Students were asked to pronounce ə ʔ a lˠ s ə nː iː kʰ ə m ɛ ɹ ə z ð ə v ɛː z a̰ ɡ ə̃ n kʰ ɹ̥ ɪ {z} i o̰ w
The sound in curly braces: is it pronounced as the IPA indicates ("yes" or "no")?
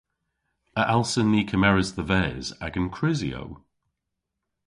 yes